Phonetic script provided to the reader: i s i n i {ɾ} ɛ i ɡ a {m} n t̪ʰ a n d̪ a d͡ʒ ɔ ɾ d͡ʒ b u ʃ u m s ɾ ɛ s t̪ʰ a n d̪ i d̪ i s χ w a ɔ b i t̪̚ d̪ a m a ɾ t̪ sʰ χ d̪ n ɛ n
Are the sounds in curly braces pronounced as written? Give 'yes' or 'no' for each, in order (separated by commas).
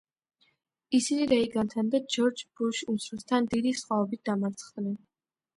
yes, no